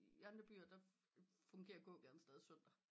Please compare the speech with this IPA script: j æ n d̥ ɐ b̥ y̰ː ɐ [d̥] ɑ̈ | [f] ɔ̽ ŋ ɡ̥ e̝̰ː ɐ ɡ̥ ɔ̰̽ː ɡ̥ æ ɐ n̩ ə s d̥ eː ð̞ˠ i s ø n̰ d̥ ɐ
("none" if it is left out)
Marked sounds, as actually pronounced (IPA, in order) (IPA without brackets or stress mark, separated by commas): d̥, f